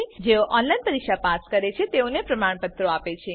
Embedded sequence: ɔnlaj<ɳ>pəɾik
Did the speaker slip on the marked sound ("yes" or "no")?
yes